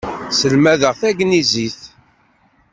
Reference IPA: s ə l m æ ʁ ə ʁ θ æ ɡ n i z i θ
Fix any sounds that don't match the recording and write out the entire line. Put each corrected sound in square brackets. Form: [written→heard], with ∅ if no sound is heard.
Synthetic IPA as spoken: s ə l m æ [ʁ→ð] ə ʁ θ æ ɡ n i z i θ